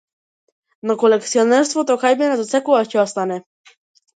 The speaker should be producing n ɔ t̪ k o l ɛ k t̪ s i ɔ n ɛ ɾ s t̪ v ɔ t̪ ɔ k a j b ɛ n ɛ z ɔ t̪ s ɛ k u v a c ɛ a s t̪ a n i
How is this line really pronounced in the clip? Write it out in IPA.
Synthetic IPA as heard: n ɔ k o l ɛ k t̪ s i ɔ n ɛ ɾ s t̪ v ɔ t̪ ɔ k a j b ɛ n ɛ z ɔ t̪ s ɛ k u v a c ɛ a s t̪ a n ɛ

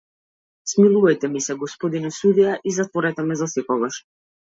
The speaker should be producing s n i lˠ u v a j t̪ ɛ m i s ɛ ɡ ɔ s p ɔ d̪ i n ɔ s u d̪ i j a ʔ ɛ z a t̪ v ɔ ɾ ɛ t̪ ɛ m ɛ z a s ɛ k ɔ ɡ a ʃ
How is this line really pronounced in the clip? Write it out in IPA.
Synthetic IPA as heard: s m i lˠ u v a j t̪ ɛ m i s ɛ ɡ ɔ s p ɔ d̪ i n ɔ s u d̪ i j a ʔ i z a t̪ v ɔ ɾ ɛ t̪ ɛ m ɛ z a s ɛ k ɔ ɡ a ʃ

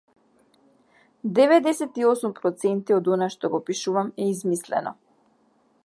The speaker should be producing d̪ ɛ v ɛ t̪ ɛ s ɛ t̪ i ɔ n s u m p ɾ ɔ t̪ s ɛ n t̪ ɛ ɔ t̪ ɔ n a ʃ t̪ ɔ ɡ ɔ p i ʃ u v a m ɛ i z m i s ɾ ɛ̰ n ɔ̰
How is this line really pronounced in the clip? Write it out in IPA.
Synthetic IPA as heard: d̪ ɛ v ɛ d̪ ɛ s ɛ t̪ i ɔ s u m p ɾ ɔ t̪ s ɛ n t̪ i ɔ d̪ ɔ n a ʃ t̪ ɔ ɡ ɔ p i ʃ u v a m ɛ i z m i s l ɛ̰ n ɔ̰

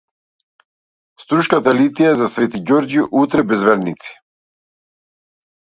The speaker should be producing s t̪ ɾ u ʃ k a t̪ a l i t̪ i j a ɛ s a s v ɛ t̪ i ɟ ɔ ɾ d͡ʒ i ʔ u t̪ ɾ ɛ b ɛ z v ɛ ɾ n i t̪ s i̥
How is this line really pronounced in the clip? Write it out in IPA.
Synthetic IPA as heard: s t̪ ɾ u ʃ k a t̪ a l i t̪ i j a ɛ z a s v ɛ t̪ i ɟ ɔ ɾ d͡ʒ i ʔ u t̪ ɾ ɛ b ɛ z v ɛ ɾ n i t̪ s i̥

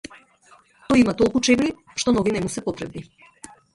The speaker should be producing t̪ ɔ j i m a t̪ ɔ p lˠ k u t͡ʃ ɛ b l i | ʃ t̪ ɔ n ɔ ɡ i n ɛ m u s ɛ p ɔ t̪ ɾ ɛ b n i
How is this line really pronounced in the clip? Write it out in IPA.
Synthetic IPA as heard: t̪ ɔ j i m a t̪ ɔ lˠ k u t͡ʃ ɛ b l i | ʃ t̪ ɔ n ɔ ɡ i n ɛ m u s ɛ p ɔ t̪ ɾ ɛ b n i

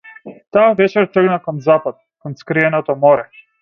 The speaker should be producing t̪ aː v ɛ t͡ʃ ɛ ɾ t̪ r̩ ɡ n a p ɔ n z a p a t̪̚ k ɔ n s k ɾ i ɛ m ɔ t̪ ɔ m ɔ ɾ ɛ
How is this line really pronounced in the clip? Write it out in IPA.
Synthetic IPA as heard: t̪ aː v ɛ t͡ʃ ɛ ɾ t̪ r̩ ɡ n a k ɔ n z a p a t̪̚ k ɔ n s k ɾ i ɛ n ɔ t̪ ɔ m ɔ ɾ ɛ

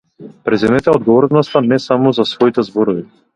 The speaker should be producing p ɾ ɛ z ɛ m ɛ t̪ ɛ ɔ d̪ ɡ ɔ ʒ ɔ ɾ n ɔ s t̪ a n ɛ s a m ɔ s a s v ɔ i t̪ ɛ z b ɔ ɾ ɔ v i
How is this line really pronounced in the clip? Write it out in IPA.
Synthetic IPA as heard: p ɾ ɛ z ɛ m ɛ t̪ ɛ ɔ d̪ ɡ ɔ v ɔ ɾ n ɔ s t̪ a n ɛ s a m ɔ z a s v ɔ i t̪ ɛ z b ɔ ɾ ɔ v i

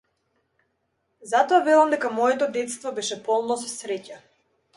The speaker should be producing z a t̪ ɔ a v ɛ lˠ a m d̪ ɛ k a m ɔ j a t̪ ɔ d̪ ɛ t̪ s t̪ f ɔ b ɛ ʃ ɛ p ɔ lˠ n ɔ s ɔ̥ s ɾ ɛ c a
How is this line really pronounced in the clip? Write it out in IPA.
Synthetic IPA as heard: z a t̪ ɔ a v ɛ lˠ a m d̪ ɛ k a m ɔ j ɛ t̪ ɔ d̪ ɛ t̪ s t̪ v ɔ b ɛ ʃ ɛ p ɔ lˠ n ɔ s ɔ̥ s ɾ ɛ c a

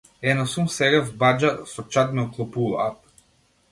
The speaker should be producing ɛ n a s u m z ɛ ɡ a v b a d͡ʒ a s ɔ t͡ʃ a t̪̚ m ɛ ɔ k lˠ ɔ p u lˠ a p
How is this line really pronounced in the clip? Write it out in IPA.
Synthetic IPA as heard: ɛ n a s u m s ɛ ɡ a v b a d͡ʒ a s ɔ t͡ʃ a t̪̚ m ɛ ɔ k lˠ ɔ p u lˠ a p

